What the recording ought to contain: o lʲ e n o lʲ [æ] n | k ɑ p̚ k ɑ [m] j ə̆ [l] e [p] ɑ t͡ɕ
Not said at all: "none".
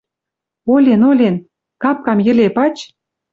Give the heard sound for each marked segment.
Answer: e, m, l, p

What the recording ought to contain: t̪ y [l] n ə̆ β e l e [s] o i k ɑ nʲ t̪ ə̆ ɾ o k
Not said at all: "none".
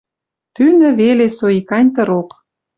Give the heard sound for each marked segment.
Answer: none, s

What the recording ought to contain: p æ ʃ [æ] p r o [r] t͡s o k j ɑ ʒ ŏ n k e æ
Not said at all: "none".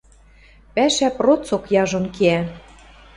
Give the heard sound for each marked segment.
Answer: æ, none

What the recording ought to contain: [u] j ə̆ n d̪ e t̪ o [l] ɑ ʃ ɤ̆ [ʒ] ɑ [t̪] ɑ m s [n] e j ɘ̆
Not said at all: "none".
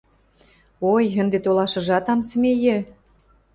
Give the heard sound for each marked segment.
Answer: o, l, ʒ, t̪, m

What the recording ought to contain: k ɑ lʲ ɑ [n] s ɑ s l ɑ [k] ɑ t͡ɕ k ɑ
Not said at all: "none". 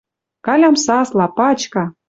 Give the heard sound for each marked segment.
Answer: m, p

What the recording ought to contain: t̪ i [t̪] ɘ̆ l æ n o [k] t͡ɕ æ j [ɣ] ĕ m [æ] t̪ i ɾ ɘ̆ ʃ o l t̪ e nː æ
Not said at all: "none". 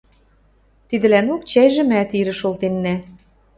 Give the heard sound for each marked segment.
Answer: d̪, k, ʒ, æ

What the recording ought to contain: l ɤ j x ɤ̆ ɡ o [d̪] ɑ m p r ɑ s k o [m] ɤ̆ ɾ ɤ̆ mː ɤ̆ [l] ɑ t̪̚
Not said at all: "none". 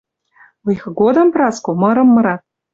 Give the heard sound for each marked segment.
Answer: d̪, m, ɾ

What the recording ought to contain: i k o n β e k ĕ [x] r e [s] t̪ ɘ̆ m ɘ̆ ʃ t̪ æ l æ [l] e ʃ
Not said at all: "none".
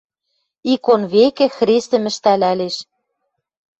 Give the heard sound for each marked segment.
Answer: x, s, l

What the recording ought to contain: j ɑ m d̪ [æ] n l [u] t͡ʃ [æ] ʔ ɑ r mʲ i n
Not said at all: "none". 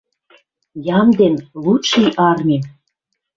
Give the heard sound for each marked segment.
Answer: e, u, i

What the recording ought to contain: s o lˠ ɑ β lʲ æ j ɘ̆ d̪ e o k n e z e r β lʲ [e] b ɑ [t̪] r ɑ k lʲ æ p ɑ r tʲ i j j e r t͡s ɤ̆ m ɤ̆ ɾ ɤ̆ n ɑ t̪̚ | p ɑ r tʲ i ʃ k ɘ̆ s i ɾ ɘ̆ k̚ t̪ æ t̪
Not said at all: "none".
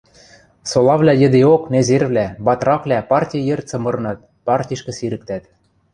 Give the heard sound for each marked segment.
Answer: æ, t̪

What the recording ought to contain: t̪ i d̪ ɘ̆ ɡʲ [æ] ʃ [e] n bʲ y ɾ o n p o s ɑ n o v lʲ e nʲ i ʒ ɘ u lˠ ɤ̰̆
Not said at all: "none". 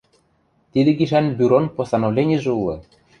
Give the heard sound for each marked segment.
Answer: i, æ

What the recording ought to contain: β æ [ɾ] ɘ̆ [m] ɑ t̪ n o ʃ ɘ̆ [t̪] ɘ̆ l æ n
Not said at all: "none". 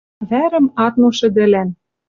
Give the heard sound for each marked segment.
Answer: ɾ, m, d̪

